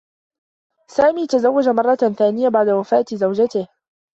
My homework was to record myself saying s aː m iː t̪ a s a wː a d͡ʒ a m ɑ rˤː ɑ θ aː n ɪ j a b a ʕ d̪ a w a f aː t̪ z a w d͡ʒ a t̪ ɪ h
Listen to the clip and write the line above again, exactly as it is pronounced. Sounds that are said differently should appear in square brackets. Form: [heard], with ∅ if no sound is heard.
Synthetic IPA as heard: s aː m iː t̪ a [z] a wː a d͡ʒ a m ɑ rˤː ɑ θ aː n ɪ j a b a ʕ d̪ a w a f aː t̪ z a w d͡ʒ a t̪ ɪ h